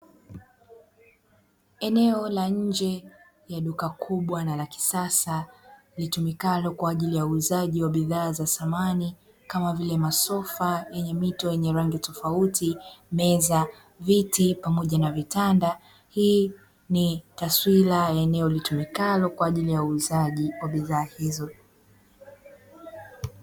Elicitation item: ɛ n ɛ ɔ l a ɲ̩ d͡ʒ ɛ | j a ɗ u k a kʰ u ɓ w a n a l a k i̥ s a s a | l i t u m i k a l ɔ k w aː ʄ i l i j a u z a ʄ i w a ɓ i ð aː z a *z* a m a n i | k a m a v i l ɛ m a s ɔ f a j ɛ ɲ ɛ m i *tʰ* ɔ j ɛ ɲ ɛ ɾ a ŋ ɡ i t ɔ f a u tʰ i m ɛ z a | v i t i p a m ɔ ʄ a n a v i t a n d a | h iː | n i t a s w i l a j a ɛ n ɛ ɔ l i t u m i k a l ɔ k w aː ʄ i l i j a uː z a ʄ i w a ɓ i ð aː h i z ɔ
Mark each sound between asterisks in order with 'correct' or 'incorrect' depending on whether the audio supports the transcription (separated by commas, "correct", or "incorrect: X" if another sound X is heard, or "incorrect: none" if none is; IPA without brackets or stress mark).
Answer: incorrect: s, incorrect: t